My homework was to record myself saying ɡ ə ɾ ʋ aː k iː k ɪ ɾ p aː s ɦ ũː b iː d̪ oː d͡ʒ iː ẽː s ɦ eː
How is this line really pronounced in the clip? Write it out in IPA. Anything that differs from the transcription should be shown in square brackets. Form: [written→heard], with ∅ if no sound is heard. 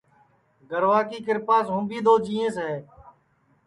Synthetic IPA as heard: ɡ ə ɾ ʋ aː k iː k ɪ ɾ p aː s ɦ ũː b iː d̪ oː d͡ʒ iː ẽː s ɦ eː